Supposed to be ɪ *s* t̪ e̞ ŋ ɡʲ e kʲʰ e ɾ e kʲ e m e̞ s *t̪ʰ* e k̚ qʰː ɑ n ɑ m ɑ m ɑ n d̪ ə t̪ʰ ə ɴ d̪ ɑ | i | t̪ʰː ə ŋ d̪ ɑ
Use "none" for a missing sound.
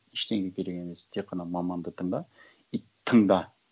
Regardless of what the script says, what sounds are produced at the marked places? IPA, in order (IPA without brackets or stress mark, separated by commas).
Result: ʃ, t̪ʰ